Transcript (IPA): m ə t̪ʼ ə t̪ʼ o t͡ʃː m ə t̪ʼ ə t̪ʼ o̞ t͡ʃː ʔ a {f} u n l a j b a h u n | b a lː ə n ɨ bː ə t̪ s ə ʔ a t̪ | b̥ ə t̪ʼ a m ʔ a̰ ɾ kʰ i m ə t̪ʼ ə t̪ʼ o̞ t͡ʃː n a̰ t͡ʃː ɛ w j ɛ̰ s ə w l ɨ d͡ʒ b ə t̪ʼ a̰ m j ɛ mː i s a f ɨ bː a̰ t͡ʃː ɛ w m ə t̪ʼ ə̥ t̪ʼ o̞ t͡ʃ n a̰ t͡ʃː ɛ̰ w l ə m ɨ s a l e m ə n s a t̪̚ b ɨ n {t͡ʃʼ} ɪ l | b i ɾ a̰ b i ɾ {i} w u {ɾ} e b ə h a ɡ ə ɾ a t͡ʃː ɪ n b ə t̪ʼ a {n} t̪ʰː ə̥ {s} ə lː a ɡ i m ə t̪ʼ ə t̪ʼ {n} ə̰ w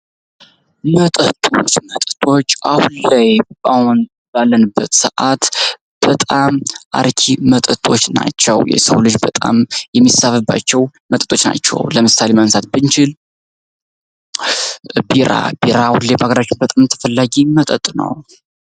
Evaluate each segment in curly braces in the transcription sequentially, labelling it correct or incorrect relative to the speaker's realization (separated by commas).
incorrect, incorrect, incorrect, incorrect, incorrect, incorrect, correct